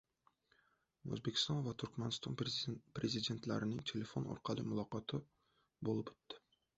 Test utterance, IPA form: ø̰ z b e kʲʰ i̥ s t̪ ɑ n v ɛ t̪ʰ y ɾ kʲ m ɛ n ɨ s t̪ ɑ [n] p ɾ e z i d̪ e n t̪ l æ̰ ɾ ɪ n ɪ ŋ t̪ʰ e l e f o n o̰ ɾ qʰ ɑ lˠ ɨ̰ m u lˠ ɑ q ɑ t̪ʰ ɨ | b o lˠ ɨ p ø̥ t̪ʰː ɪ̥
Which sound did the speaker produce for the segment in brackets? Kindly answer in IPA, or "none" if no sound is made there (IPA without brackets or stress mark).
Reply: n